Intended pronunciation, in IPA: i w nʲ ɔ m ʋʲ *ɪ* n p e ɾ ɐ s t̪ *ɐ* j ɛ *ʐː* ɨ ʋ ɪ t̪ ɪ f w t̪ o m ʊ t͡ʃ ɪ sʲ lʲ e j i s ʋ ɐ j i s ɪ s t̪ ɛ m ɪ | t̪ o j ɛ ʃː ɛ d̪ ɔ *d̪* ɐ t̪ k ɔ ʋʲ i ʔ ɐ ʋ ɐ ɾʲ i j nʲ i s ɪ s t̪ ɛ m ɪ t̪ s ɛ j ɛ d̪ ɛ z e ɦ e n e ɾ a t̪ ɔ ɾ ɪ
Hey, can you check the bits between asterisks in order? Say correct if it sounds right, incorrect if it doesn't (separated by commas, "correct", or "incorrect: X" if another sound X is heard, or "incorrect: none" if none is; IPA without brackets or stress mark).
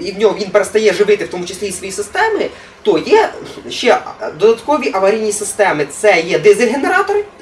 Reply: incorrect: i, correct, incorrect: ʐ, correct